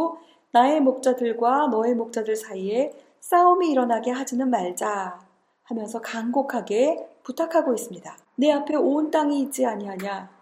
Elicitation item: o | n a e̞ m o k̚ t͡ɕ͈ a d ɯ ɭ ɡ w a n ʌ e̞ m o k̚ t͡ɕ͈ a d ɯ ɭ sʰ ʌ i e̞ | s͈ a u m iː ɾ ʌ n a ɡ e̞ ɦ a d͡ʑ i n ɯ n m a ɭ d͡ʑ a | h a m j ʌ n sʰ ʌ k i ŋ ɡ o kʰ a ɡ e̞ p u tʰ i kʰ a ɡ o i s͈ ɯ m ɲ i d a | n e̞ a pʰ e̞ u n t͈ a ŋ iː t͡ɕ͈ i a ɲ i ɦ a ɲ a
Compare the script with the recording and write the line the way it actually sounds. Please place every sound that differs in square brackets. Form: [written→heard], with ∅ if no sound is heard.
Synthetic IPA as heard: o | n a e̞ m o k̚ t͡ɕ͈ a d ɯ ɭ ɡ w a n ʌ e̞ m o k̚ t͡ɕ͈ a d ɯ ɭ sʰ [ʌ→a] i e̞ | s͈ a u m iː ɾ ʌ n a ɡ e̞ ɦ a d͡ʑ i n ɯ n m a ɭ d͡ʑ a | h a m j ʌ n sʰ ʌ k [i→a] ŋ ɡ o kʰ a ɡ e̞ p u tʰ [i→a] kʰ a ɡ o i s͈ ɯ m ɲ i d a | n e̞ a pʰ e̞ [u→o] n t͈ a ŋ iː t͡ɕ͈ i a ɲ i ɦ a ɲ a